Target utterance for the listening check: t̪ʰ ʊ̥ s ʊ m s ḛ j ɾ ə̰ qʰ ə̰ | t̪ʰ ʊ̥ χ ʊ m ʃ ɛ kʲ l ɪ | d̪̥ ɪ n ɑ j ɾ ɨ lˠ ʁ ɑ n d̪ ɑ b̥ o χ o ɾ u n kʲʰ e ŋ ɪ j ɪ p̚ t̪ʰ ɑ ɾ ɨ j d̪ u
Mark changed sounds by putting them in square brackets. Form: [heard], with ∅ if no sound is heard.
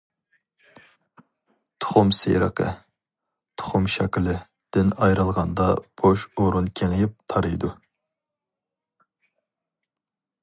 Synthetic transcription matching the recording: t̪ʰ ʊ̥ [χ] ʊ m s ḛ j ɾ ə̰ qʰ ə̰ | t̪ʰ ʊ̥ χ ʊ m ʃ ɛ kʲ l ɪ | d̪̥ ɪ n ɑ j ɾ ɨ lˠ ʁ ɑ n d̪ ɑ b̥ o [ʃ] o ɾ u n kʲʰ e ŋ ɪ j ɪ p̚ t̪ʰ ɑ ɾ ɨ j d̪ u